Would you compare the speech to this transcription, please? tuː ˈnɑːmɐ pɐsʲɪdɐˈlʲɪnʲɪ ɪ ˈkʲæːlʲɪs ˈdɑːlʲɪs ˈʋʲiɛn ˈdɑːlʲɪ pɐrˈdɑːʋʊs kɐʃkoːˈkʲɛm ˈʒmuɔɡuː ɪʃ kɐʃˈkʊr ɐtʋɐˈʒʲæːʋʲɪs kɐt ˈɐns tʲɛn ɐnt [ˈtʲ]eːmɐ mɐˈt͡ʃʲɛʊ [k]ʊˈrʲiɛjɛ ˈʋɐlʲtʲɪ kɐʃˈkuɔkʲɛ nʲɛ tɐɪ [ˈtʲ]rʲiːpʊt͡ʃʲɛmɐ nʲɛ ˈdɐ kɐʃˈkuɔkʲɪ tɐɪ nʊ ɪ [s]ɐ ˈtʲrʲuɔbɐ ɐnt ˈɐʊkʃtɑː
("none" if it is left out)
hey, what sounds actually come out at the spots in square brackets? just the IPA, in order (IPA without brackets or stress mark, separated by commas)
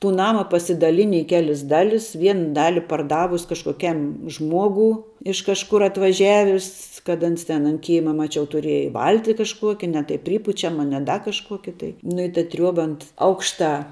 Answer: kʲ, t, pʲ, t